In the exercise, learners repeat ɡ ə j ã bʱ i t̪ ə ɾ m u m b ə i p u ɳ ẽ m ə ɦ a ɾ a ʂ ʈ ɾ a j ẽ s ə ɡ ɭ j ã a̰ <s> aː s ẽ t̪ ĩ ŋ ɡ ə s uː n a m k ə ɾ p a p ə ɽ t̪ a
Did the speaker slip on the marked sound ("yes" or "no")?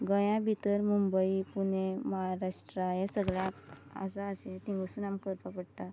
no